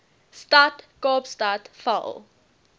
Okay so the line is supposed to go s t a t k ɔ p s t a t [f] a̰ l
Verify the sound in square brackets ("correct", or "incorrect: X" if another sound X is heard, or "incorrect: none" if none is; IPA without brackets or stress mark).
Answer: correct